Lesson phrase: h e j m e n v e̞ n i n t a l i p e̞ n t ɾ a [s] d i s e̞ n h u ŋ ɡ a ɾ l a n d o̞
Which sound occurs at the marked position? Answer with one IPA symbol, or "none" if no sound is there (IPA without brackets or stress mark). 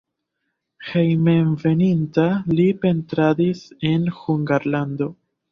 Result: none